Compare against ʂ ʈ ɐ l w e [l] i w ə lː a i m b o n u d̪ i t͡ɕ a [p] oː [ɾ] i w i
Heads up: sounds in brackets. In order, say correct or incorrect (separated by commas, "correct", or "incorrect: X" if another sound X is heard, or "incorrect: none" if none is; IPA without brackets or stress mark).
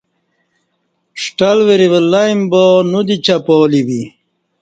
incorrect: ɾ, correct, incorrect: l